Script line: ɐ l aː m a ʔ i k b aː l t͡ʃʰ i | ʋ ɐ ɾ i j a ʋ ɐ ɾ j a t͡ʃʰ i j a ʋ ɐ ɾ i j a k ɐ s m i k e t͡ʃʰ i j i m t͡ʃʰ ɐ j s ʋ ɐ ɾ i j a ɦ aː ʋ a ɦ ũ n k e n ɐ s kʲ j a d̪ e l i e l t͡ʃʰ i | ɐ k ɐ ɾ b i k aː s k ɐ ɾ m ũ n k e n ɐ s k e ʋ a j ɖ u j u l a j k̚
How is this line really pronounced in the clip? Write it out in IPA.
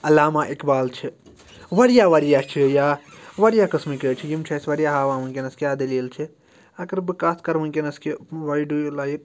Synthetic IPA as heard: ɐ l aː m a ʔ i k b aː l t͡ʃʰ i | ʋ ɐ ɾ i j a ʋ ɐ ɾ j a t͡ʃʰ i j a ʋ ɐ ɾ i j a k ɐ s m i k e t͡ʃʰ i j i m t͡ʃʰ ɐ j s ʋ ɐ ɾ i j a ɦ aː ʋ a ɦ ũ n k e n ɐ s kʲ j a d̪ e l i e l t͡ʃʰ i | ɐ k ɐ ɾ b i k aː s k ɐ ɾ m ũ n k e n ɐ s k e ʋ a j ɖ u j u l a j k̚